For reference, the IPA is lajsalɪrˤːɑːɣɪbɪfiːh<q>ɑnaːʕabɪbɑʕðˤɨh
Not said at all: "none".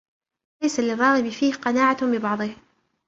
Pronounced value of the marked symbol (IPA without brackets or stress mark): q